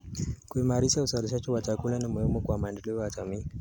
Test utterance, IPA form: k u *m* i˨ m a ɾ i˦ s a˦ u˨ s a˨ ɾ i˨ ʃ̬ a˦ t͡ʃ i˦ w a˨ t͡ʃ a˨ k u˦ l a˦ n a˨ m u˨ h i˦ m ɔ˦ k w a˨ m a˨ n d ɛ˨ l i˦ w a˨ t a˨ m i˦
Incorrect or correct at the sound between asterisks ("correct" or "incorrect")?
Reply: incorrect